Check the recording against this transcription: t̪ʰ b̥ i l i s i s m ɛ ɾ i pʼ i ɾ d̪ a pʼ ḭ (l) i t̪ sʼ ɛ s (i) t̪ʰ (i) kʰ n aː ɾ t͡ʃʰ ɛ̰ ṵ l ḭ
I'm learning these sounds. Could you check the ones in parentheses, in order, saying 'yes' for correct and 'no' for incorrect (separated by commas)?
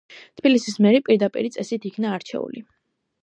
no, yes, yes